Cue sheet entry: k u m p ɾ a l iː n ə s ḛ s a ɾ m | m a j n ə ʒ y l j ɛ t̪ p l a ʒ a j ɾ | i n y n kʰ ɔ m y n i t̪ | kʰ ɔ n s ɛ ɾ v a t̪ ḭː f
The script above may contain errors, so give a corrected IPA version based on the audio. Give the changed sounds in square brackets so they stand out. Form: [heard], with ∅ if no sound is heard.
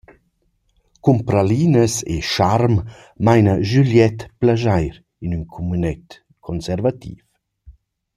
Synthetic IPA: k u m p ɾ a l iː n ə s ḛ [ʃ] a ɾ m | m a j n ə ʒ y l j ɛ t̪ p l a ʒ a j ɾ | i n y n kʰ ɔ m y n [ɛ] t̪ | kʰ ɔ n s ɛ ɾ v a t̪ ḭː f

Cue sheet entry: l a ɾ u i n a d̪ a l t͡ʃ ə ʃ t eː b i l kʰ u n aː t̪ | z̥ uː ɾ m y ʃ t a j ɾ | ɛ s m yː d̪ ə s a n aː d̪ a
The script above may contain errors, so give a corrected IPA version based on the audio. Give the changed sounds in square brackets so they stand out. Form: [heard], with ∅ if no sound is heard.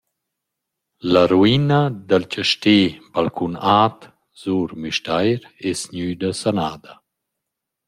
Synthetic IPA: l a ɾ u i n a d̪ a l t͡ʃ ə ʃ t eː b [a] l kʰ u n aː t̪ | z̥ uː ɾ m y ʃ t a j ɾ | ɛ s [ɲ] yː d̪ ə s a n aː d̪ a

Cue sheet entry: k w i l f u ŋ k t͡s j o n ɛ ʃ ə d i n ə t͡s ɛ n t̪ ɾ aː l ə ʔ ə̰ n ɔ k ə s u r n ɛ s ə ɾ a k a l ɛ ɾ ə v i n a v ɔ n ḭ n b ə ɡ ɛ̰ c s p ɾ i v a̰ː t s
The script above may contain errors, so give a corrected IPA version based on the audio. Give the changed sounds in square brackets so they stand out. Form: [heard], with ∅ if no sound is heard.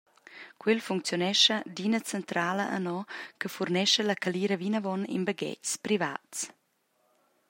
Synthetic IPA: k w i l f u ŋ k t͡s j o n ɛ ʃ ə d i n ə t͡s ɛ n t̪ ɾ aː l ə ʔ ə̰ n ɔ k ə [f] u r n ɛ [ʃ] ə [l] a k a l [i] ɾ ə v i n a v ɔ n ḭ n b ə ɡ ɛ̰ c s p ɾ i v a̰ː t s

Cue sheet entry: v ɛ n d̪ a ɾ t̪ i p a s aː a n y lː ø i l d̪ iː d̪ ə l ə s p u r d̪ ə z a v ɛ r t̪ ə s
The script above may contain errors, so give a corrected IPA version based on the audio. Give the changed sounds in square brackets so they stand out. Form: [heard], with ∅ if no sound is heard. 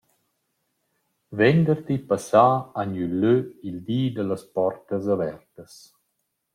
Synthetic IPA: v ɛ n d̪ [ə] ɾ t̪ i p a s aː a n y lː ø i l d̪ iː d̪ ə l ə s p [ɔ] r [t̪] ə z a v ɛ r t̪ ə s

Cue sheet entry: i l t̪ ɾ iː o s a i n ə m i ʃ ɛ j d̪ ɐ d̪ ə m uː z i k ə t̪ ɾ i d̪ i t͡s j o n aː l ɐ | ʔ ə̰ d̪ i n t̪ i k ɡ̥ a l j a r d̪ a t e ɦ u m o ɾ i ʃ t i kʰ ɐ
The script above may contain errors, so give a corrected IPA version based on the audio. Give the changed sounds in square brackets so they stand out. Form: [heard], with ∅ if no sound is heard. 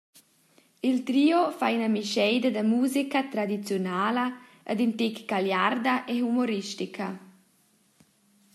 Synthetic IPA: i l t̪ ɾ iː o [f] a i n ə m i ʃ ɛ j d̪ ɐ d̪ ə m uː z i k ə t̪ ɾ [a] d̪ i t͡s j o n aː l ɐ | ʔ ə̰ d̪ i n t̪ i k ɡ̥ a l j a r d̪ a [ʔ] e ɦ u m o ɾ i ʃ t i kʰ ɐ

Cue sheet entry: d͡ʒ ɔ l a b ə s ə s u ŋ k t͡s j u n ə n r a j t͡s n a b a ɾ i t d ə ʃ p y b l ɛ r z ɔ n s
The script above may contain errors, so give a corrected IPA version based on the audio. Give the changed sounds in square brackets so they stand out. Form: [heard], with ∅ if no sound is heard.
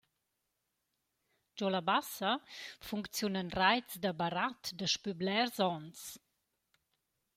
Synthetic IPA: d͡ʒ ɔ l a b [a] s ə [f] u ŋ k t͡s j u n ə n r a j t͡s [d] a b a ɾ [a] t d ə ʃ p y b l ɛ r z ɔ n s

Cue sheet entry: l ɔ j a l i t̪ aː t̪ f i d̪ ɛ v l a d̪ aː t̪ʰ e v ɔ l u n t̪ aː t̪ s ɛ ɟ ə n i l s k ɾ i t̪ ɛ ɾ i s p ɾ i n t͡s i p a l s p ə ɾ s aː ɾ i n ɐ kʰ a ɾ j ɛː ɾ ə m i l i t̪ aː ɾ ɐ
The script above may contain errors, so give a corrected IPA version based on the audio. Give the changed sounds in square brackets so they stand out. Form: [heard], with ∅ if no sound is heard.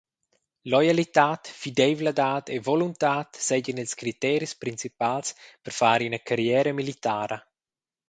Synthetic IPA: l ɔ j a l i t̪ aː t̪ f i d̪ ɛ v l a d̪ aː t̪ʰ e v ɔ l u n t̪ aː t̪ s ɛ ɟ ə n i l s k ɾ i t̪ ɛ ɾ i s p ɾ i n t͡s i p a l s p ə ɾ [f] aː ɾ i n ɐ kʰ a ɾ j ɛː ɾ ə m i l i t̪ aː ɾ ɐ

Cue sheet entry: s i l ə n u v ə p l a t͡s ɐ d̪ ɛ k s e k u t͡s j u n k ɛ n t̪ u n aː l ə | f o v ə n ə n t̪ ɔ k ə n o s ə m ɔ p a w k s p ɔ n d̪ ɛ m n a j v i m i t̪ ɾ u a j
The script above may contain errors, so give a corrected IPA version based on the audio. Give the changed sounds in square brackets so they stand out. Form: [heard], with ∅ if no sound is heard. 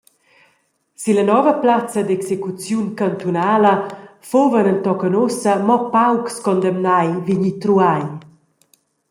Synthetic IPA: s i l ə n [ɔ] v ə p l a t͡s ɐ d̪ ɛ k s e k u t͡s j u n k [a] n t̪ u n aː l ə | f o v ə n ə n t̪ ɔ k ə n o s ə m ɔ p a w k s [k] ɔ n d̪ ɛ m n a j v i [ɲ] i t̪ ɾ u a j

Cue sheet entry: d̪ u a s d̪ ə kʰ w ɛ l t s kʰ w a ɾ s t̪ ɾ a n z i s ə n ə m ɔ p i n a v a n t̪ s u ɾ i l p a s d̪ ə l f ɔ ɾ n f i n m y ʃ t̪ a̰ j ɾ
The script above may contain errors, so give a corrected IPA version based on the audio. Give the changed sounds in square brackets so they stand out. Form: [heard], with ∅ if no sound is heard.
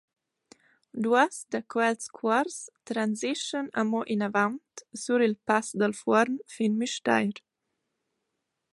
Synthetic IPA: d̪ u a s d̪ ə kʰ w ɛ l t s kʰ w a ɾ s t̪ ɾ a n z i [ʃ] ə n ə m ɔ [ʔ] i n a v a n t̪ s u ɾ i l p a s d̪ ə l f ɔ ɾ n f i n m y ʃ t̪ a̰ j ɾ

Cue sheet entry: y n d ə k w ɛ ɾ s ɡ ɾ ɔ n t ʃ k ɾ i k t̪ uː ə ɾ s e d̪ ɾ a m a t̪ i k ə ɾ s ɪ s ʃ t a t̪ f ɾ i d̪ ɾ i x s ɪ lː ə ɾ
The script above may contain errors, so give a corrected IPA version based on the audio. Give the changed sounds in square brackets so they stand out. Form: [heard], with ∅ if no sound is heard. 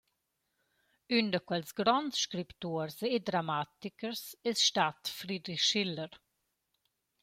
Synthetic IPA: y n d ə k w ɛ [l] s ɡ ɾ ɔ n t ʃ k ɾ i [p] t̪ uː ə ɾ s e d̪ ɾ a m a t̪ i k ə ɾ s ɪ s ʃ t a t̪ f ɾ i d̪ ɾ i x [ʃ] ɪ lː ə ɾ

